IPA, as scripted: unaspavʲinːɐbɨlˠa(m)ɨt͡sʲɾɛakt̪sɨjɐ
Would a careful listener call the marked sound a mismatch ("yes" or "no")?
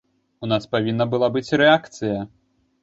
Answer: yes